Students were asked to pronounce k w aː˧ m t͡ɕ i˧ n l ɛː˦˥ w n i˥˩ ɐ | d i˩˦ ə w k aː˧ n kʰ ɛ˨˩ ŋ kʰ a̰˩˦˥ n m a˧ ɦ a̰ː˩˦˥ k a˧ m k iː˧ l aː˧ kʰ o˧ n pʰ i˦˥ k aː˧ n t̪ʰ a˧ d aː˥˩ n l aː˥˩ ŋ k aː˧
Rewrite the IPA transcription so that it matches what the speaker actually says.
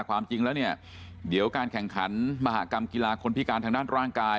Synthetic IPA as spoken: k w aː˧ m t͡ɕ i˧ ŋ l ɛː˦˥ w n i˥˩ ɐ | d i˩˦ ə w k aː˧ n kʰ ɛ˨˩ ŋ kʰ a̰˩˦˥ n m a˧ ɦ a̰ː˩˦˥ k a˧ m k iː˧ l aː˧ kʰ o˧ n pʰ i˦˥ k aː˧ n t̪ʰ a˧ d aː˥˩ n ɾ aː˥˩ ŋ k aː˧

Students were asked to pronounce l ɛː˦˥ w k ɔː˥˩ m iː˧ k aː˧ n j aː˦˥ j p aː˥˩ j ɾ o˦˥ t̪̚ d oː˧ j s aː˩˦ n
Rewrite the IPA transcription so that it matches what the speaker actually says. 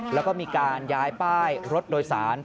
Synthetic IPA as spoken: l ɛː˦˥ w k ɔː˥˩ m iː˧ k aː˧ n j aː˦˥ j p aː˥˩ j ɾ o˦˥ t̪̚ d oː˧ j s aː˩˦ n

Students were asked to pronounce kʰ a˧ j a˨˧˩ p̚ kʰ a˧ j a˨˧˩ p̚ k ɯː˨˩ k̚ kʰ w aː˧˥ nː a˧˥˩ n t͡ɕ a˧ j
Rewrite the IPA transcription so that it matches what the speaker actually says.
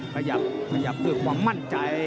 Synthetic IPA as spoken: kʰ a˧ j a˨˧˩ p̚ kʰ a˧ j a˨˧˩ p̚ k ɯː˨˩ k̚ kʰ w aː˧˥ mː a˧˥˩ n t͡ɕ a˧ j

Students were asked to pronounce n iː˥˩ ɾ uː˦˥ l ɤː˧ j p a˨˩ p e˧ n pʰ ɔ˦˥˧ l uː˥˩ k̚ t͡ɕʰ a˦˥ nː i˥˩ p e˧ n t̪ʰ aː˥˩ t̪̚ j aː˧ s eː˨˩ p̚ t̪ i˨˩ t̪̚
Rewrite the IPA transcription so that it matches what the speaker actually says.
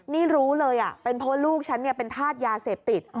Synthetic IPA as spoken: n iː˥˩ ɾ uː˦˥ l ɤː˧ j ʔ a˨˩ p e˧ n pʰ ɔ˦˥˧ l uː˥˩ k̚ t͡ɕʰ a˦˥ nː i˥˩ p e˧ n t̪ʰ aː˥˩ t̪̚ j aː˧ s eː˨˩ p̚ t̪ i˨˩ t̪̚

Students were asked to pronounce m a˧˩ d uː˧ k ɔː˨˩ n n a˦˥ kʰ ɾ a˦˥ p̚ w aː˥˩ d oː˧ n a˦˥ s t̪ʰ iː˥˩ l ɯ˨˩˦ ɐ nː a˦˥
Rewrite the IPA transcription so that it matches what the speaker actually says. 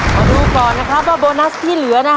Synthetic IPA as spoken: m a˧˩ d uː˧ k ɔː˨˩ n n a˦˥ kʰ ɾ a˦˥ p̚ w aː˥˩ b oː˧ n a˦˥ s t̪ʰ iː˥˩ l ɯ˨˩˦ ɐ n a˦˥

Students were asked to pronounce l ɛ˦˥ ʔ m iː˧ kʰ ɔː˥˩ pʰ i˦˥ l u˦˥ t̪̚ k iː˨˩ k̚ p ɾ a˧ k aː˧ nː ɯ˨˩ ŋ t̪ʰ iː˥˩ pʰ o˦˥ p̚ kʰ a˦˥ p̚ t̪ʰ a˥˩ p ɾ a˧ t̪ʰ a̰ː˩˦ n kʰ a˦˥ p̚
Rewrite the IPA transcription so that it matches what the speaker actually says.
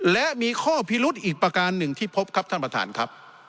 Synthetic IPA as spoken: l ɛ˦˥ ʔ m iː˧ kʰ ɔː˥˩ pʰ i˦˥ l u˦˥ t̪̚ ʔ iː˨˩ k̚ p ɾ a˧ k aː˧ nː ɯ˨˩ ŋ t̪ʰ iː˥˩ pʰ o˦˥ p̚ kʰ a˦˥ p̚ t̪ʰ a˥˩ p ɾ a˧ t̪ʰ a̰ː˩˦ n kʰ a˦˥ p̚

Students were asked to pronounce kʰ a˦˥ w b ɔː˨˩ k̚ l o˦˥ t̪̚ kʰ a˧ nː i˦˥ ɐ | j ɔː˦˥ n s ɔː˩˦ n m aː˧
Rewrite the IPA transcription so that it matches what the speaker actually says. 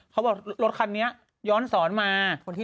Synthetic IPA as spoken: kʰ a˦˥ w b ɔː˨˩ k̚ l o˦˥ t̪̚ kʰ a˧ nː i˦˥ ɐ | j ɔː˦˥ n s ɔː˩˦ n m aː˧

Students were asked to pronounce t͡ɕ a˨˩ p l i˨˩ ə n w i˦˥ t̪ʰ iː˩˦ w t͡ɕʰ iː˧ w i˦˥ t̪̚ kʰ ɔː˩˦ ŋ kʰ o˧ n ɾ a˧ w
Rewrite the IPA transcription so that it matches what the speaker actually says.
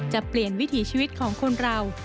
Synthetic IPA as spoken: t͡ɕ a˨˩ p l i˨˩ ə n w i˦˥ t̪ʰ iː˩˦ t͡ɕʰ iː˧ w i˦˥ t̪̚ kʰ ɔː˩˦ ŋ kʰ o˧ n ɾ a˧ w

